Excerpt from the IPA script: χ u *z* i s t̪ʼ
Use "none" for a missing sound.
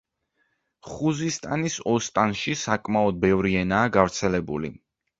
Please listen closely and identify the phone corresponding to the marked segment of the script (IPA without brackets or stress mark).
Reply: z